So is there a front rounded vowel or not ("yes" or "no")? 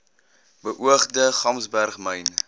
no